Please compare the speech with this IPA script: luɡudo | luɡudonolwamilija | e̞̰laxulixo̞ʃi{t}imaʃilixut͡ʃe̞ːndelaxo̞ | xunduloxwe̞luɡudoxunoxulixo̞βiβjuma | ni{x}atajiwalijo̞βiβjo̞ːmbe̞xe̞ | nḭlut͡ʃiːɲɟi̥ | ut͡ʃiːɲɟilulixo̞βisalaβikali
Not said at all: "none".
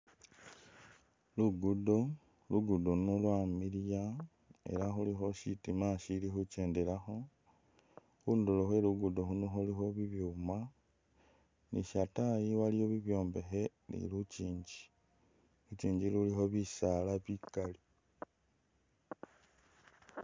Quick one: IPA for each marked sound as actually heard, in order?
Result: t, ʃ

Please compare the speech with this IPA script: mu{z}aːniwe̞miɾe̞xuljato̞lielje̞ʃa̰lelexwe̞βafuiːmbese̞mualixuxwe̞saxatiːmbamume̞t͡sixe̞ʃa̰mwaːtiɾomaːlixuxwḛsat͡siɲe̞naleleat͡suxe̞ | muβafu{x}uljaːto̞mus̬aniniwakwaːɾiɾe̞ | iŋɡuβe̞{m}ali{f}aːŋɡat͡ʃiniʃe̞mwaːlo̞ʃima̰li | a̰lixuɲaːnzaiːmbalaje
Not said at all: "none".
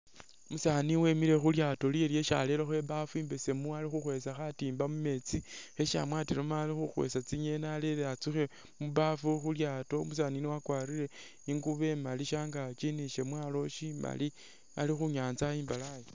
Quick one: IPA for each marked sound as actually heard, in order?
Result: s, x, m, ʃ

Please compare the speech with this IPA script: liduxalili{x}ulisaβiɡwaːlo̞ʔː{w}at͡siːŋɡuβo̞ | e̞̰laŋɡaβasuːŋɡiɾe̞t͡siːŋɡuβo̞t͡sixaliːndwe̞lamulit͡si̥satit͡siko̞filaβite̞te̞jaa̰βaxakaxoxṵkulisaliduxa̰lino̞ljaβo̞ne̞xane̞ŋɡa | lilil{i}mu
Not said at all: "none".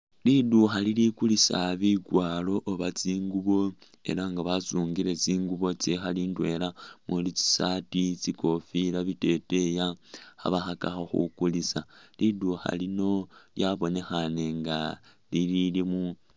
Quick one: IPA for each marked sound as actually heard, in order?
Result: k, β, i

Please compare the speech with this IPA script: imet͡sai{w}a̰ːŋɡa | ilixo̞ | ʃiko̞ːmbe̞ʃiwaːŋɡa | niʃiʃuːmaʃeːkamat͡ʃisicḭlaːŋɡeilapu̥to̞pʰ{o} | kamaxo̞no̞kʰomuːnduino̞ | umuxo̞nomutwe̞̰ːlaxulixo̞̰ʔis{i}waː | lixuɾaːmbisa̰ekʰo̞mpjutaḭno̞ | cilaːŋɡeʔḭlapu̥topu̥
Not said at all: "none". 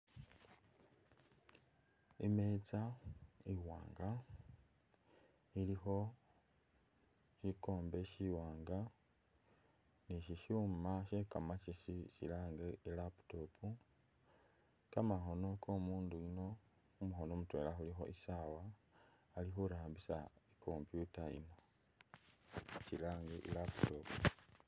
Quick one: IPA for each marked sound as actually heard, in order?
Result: w, u, a

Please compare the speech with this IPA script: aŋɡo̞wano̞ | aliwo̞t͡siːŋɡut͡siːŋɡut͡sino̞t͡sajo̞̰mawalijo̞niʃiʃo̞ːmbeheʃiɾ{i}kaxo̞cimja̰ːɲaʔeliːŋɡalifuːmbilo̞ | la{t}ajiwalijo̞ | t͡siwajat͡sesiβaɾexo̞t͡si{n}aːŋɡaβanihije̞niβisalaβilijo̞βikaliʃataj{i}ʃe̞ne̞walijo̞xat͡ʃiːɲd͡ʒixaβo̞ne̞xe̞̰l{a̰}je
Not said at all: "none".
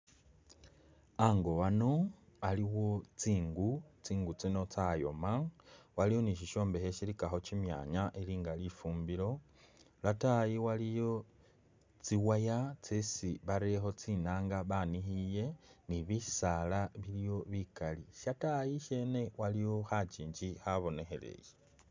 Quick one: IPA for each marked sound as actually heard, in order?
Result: i, t, n, i, ḛ

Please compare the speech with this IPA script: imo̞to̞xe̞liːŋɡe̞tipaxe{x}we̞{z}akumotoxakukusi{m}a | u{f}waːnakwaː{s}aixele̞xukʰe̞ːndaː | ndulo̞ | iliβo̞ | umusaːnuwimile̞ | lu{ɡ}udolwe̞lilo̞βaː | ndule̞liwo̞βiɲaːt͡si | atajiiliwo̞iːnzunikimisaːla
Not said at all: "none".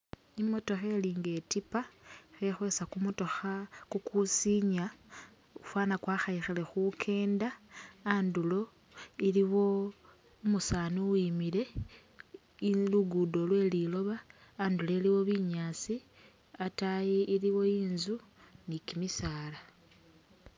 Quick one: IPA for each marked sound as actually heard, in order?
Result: x, s, ɲ, f, x, ɡ

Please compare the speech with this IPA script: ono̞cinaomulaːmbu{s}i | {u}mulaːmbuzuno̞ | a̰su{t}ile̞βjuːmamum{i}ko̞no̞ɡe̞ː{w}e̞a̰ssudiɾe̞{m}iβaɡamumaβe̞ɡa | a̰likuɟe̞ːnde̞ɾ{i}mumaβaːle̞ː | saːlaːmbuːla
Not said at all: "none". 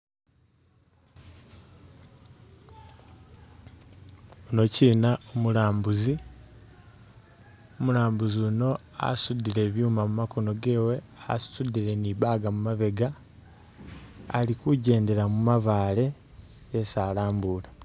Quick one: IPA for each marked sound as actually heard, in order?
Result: z, o, d, a, w, n, a

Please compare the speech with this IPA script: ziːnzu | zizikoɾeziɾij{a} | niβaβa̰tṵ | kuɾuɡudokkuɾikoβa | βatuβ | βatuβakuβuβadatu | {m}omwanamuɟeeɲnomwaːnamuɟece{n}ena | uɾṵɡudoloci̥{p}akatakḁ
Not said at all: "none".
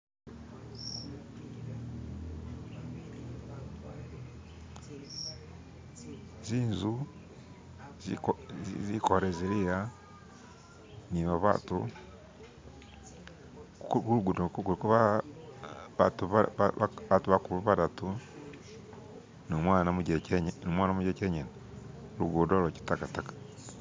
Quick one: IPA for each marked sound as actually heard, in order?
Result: a, n, ɲ, t

